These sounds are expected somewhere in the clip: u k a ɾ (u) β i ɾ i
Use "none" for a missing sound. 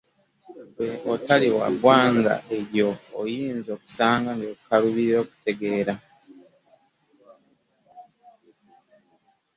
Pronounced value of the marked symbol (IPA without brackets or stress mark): u